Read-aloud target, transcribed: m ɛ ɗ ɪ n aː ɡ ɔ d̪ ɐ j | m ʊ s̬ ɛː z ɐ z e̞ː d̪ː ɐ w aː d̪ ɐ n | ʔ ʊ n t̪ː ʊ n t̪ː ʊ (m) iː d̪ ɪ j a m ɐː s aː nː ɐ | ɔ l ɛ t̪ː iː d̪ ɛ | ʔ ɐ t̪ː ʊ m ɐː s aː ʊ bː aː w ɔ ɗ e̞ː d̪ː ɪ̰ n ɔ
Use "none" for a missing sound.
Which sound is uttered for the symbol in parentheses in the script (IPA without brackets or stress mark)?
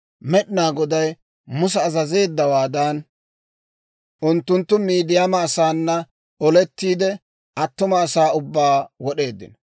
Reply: m